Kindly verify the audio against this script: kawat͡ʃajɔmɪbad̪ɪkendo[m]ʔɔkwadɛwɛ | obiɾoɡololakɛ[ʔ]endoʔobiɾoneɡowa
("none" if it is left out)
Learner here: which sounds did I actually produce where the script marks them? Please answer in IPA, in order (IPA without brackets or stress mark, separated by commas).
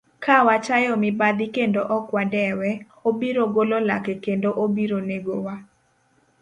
none, k